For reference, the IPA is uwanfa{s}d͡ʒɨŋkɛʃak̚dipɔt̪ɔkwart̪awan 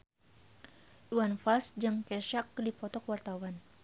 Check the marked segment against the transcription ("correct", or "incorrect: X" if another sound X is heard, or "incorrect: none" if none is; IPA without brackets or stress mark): correct